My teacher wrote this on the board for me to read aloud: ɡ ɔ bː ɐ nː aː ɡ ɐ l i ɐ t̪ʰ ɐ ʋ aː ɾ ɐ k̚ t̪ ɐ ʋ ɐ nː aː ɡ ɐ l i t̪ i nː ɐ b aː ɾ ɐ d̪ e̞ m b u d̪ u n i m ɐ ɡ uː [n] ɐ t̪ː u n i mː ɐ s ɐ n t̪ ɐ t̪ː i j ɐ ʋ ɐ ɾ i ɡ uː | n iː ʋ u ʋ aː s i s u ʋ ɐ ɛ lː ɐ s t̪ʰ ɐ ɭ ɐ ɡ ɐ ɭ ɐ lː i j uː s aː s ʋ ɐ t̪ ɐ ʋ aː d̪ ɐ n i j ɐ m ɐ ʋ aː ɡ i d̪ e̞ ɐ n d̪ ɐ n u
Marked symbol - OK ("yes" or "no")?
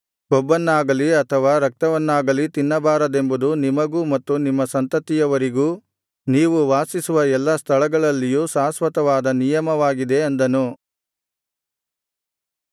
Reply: no